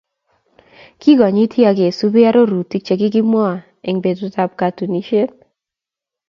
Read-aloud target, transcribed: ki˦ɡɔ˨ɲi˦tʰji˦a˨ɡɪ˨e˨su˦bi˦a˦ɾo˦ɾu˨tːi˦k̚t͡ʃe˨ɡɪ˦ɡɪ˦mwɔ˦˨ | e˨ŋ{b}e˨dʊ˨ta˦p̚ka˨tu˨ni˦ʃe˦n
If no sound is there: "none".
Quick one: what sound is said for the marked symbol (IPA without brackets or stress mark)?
b